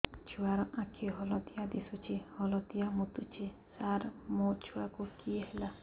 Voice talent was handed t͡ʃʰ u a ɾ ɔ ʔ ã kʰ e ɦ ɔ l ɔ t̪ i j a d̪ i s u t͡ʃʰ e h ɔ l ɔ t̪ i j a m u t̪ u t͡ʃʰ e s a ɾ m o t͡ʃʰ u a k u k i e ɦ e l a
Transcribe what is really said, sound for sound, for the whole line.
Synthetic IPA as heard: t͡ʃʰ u a ɾ ɔ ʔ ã kʰ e ɦ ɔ l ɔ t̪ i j a d̪ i s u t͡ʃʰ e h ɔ l ɔ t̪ i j a m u t̪ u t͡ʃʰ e s a ɾ m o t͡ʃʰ u a k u k i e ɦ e l a